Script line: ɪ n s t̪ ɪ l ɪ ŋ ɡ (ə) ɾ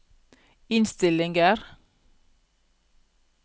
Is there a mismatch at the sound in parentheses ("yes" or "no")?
no